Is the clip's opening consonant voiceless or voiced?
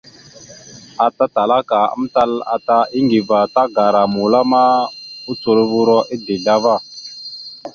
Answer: voiceless